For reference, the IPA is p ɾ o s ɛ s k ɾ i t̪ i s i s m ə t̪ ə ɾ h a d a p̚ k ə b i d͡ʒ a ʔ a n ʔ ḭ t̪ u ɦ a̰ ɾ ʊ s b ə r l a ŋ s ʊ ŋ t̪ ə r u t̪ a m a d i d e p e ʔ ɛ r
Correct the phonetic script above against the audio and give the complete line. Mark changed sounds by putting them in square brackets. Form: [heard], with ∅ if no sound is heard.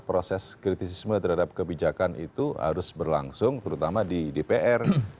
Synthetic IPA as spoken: p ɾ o s ɛ s k ɾ i t̪ i s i s m ə t̪ ə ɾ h a d a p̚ k ə b i d͡ʒ a [k] a n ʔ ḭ t̪ u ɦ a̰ ɾ ʊ s b ə r l a ŋ s ʊ ŋ t̪ ə [ɾ] u t̪ a m a d i d e p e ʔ ɛ r

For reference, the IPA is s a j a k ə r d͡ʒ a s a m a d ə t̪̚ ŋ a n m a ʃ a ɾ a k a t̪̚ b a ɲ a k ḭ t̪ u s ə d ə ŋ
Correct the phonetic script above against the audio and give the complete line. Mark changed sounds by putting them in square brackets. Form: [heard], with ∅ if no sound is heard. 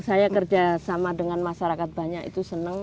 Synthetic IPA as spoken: s a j a k ə r d͡ʒ a s a m a d ə [∅] ŋ a n m a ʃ a ɾ a k a t̪̚ b a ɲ a k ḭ t̪ u s ə [n] ə ŋ

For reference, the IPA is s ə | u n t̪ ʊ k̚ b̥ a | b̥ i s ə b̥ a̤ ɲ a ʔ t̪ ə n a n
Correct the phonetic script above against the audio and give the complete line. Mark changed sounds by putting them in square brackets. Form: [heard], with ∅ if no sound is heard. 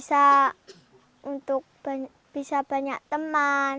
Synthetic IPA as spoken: s [a] | u n t̪ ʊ k̚ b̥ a | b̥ i s [a] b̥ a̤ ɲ a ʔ t̪ ə [m] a n

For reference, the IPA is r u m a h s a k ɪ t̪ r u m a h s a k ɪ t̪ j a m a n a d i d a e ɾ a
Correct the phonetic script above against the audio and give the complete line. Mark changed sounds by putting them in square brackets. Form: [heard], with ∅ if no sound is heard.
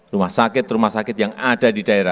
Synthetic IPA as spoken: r u m a h s a k ɪ t̪ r u m a h s a k ɪ t̪ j a [ŋ] a [d] a d i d a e ɾ a

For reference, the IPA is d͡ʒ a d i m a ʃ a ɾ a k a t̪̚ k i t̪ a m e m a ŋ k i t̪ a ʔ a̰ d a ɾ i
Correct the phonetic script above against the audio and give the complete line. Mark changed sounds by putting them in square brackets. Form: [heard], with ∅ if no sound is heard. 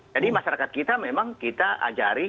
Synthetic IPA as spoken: d͡ʒ a d i m a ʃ a ɾ a k a t̪̚ k i t̪ a m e m a ŋ k i t̪ a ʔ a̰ [d͡ʒ] a ɾ i

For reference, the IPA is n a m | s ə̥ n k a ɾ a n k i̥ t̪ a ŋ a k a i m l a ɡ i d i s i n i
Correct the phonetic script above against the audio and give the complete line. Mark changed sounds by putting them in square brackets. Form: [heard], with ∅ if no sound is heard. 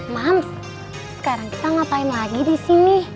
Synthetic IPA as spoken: [m] a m | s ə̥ [∅] k a ɾ a [ŋ] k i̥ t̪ a ŋ a [p] a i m l a ɡ i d i s i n i

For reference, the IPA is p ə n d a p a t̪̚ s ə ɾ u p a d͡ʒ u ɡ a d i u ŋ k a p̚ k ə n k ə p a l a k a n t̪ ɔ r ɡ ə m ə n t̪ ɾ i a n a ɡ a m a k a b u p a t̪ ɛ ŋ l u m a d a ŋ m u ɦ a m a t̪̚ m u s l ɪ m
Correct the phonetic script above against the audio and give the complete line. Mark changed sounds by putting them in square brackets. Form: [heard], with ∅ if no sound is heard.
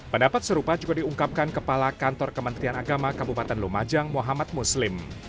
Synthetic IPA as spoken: p ə n d a p a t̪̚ s ə ɾ u p a d͡ʒ u ɡ a d i u ŋ k a p̚ k [a] n k ə p a l a k a n t̪ ɔ r [k] ə m ə n t̪ ɾ i a n a ɡ a m a k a b u p a t̪ ɛ [n] l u m a [d͡ʒ] a ŋ m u ɦ a m a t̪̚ m u s l ɪ m

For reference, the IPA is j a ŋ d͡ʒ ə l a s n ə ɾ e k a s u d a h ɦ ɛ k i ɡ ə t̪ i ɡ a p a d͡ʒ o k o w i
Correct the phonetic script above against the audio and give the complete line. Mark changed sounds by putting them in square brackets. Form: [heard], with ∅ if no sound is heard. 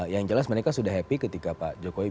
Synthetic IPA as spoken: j a ŋ d͡ʒ ə l a s [m] ə ɾ e k a s u d a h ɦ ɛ [p] i [k] ə t̪ i [k] a p a d͡ʒ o k o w i

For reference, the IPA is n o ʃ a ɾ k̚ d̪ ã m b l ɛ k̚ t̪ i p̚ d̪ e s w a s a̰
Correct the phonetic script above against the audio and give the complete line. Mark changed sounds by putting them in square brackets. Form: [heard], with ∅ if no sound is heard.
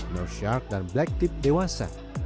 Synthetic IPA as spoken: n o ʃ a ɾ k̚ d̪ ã [n] b l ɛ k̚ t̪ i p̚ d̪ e [∅] w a s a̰

